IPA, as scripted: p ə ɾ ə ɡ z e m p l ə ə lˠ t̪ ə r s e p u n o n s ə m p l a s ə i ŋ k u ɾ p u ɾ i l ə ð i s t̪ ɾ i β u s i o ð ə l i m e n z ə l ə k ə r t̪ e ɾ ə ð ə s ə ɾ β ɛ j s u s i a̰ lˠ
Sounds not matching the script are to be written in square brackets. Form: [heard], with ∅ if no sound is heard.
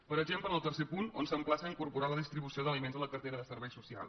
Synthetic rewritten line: p ə ɾ ə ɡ [ʒ] e m p l ə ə lˠ t̪ ə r s e p u n o n s ə m p l a s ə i ŋ k u ɾ p u ɾ [a] l ə ð i s t̪ ɾ i β u s i o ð ə l i m e n z ə l ə k ə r t̪ e ɾ ə ð ə s ə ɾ β ɛ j s u s i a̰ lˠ